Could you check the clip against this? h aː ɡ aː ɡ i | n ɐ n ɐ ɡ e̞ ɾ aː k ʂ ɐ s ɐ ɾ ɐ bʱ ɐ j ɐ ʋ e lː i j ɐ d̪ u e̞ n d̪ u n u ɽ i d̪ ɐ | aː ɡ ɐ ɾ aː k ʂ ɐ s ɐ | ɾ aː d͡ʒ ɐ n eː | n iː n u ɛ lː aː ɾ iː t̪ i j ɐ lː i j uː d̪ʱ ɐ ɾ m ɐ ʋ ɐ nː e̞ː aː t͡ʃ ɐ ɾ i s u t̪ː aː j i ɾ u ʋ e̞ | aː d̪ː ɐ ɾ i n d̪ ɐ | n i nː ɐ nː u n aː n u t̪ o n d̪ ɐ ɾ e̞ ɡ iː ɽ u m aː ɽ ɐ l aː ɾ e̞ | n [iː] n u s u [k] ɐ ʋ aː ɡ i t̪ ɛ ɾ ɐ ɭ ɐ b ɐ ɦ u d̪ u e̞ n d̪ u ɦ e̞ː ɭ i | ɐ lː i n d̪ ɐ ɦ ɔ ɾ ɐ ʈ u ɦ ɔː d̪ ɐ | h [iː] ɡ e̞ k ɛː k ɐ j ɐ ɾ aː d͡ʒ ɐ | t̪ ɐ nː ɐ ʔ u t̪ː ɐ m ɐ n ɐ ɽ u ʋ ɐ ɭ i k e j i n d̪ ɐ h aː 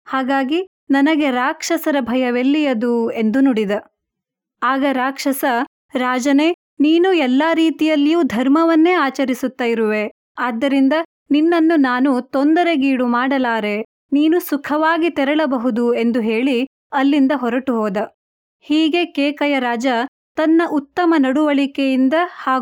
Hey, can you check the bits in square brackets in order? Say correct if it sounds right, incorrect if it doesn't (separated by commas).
correct, incorrect, correct